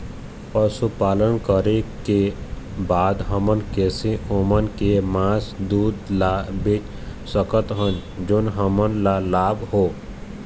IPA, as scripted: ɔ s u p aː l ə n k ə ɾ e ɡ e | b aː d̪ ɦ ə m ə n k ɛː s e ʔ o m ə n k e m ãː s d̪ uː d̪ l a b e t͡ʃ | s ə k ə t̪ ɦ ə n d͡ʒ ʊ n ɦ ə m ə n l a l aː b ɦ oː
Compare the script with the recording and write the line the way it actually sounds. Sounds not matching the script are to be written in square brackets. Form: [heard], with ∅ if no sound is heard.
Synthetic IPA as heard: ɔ s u p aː l ə n k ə ɾ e [k] e | b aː d̪ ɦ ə m ə n k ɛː s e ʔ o m ə n k e m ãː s d̪ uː d̪ l a b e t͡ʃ | s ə k ə t̪ ɦ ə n d͡ʒ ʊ n ɦ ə m ə n l a l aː b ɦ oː